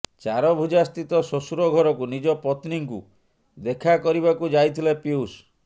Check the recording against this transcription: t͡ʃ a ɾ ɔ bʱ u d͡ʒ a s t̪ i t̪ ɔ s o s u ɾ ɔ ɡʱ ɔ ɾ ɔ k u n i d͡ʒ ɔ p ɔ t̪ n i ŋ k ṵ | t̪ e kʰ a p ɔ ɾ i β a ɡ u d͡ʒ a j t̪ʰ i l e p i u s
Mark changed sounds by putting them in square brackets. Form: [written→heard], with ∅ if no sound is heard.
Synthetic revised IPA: t͡ʃ a ɾ ɔ bʱ u d͡ʒ a s t̪ i t̪ ɔ s o s u ɾ ɔ ɡʱ ɔ ɾ ɔ k u n i d͡ʒ ɔ p ɔ t̪ n i ŋ k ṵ | [t̪→d̪] e kʰ a [p→k] ɔ ɾ i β a [ɡ→k] u d͡ʒ a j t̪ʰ i l e p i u s

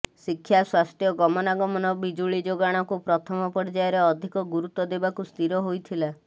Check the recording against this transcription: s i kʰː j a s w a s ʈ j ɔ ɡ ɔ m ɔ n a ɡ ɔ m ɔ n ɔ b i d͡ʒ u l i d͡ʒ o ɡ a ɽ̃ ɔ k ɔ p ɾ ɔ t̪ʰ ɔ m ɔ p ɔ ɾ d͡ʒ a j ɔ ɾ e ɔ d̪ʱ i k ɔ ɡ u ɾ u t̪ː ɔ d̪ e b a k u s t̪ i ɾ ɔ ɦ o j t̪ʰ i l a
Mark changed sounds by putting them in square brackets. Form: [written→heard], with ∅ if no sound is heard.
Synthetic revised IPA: s i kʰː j a s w a s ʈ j ɔ ɡ ɔ m ɔ n a ɡ ɔ m ɔ n ɔ b i d͡ʒ u [l→ɭ] i d͡ʒ o ɡ a ɽ̃ ɔ k [ɔ→u] p ɾ ɔ t̪ʰ ɔ m ɔ p ɔ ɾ d͡ʒ a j ɔ ɾ e ɔ d̪ʱ i k ɔ ɡ u ɾ u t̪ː ɔ d̪ e b a k u s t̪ i ɾ ɔ ɦ o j t̪ʰ i l a

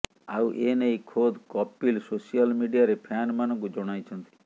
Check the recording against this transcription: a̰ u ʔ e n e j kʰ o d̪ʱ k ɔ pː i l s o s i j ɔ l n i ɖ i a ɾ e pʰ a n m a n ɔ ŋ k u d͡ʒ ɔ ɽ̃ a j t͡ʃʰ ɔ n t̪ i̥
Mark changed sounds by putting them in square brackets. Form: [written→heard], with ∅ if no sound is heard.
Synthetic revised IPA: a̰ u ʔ e n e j kʰ o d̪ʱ k ɔ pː i l s o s i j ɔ l [n→m] i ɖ i a ɾ e pʰ a n m a n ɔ ŋ k u d͡ʒ ɔ ɽ̃ a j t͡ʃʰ ɔ n t̪ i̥

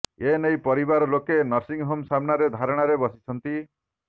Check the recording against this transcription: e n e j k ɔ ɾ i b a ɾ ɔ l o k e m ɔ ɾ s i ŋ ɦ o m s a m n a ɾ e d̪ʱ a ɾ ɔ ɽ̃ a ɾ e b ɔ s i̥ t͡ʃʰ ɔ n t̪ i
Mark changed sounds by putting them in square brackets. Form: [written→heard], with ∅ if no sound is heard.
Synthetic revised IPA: e n e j [k→p] ɔ ɾ i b a ɾ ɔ l o k e [m→n] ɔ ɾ s i ŋ ɦ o m s a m n a ɾ e d̪ʱ a ɾ ɔ ɽ̃ a ɾ e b ɔ s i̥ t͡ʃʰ ɔ n t̪ i

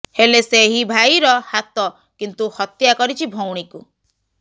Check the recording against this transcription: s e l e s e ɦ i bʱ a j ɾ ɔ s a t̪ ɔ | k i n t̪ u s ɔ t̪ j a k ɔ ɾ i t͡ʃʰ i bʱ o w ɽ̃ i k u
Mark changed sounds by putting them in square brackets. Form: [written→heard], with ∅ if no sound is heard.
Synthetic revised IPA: [s→h] e l e s e ɦ i bʱ a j ɾ ɔ [s→h] a t̪ ɔ | k i n t̪ u [s→h] ɔ t̪ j a k ɔ ɾ i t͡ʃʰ i bʱ o w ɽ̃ i k u

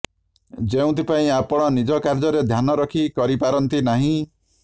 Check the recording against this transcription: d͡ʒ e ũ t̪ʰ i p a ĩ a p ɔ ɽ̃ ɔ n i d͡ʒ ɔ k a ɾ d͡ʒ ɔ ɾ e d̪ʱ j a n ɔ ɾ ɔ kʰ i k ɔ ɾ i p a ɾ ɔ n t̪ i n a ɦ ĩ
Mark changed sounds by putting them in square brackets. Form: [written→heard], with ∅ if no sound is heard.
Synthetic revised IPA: d͡ʒ e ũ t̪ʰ i p a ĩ a p ɔ ɽ̃ ɔ n i d͡ʒ ɔ k a ɾ d͡ʒ ɔ ɾ e d̪ʱ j a n ɔ ɾ ɔ kʰ i k ɔ ɾ i p a ɾ ɔ n t̪ i n a ɦ ĩ

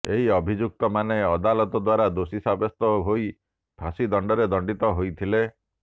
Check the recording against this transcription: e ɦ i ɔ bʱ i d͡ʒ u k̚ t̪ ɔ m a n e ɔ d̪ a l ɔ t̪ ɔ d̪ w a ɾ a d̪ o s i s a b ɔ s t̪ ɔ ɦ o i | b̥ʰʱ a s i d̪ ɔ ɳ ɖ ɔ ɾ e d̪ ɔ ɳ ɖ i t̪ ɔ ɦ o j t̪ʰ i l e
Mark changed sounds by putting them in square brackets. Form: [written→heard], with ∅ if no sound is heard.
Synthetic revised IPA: e ɦ i ɔ bʱ i d͡ʒ u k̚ t̪ ɔ m a n e ɔ d̪ a l ɔ t̪ ɔ d̪ w a ɾ a d̪ o s i s a b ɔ s t̪ ɔ ɦ o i | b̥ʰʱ a s i d̪ ɔ ɳ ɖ ɔ ɾ e d̪ ɔ ɳ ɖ i t̪ ɔ ɦ o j t̪ʰ i l e

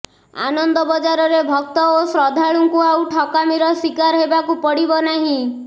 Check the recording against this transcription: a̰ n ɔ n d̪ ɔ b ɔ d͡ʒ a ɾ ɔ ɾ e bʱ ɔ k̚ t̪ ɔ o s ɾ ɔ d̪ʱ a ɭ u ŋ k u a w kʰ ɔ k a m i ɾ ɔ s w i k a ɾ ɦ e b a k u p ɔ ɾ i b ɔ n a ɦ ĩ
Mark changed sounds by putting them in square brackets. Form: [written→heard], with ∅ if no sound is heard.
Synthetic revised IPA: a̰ n ɔ n d̪ ɔ b ɔ d͡ʒ a ɾ ɔ ɾ e bʱ ɔ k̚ t̪ ɔ o s ɾ ɔ d̪ʱ a ɭ u ŋ k u a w [kʰ→ʈʰ] ɔ k a m i ɾ ɔ s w i k a ɾ ɦ e b a k u p ɔ [ɾ→ɽ] i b ɔ n a ɦ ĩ

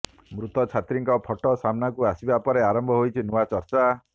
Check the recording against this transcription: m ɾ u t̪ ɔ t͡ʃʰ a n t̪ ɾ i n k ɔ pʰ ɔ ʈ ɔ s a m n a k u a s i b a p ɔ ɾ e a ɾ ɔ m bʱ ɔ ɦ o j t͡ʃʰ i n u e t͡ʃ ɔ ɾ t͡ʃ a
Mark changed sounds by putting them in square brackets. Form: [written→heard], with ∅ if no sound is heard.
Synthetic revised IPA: m ɾ u t̪ ɔ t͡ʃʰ a [n→∅] t̪ ɾ i [n→ŋ] k ɔ pʰ ɔ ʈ ɔ s a m n a k u a s i b a p ɔ ɾ e a ɾ ɔ m bʱ ɔ ɦ o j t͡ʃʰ i n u [e→a] t͡ʃ ɔ ɾ t͡ʃ a

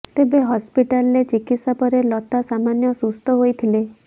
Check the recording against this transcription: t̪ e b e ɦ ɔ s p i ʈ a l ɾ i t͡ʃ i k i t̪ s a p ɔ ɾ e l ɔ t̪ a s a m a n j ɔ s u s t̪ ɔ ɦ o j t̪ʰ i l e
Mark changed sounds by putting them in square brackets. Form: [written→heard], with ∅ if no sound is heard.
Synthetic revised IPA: t̪ e b e ɦ ɔ s p i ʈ a l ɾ [i→e] t͡ʃ i k i t̪ s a p ɔ ɾ e l ɔ t̪ a s a m a n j ɔ s u s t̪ ɔ ɦ o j t̪ʰ i l e

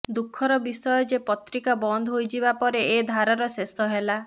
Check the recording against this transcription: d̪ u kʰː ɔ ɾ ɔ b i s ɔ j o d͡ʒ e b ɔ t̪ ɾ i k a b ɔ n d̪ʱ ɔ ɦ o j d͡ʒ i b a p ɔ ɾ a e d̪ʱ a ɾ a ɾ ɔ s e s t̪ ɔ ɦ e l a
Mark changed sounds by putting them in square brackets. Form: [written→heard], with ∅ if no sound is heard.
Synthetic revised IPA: d̪ u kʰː ɔ ɾ ɔ b i s ɔ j [o→ɔ] d͡ʒ e [b→p] ɔ t̪ ɾ i k a b ɔ n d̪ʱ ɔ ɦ o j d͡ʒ i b a p ɔ ɾ [a→e] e d̪ʱ a ɾ a ɾ ɔ s e s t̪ ɔ ɦ e l a

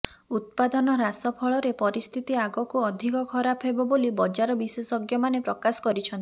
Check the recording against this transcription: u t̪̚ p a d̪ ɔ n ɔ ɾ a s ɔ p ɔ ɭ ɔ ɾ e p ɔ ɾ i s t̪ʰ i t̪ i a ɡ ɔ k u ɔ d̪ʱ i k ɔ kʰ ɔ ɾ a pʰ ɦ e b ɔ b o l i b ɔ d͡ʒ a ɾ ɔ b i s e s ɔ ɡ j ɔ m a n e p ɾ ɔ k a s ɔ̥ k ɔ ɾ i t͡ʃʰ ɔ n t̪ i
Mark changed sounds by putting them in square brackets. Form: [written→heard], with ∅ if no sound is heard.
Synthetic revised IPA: u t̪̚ p a d̪ ɔ n ɔ ɾ a s ɔ [p→pʰ] ɔ ɭ ɔ ɾ e p ɔ ɾ i s t̪ʰ i t̪ i a ɡ ɔ k u ɔ d̪ʱ i k ɔ kʰ ɔ ɾ a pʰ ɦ e b ɔ b o l i b ɔ d͡ʒ a ɾ ɔ b i s e s ɔ ɡ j ɔ m a n e p ɾ ɔ k a s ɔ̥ k ɔ ɾ i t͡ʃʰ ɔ n t̪ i

